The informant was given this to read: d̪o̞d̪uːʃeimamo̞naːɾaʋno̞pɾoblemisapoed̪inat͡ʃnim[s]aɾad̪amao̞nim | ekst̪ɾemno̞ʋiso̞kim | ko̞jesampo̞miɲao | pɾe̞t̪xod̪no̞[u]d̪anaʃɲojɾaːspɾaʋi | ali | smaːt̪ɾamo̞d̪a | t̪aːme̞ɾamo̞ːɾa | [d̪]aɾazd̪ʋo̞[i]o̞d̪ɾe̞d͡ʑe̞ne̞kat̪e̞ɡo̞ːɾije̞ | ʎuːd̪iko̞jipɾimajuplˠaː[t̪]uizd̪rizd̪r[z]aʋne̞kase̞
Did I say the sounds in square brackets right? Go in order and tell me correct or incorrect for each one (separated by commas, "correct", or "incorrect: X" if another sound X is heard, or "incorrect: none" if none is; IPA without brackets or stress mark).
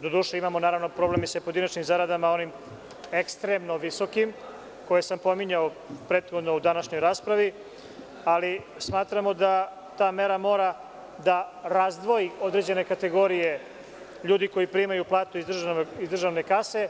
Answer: incorrect: z, correct, correct, correct, correct, incorrect: ʒ